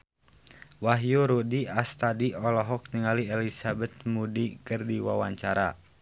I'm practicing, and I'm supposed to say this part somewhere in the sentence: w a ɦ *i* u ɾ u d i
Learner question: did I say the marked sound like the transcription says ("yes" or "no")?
no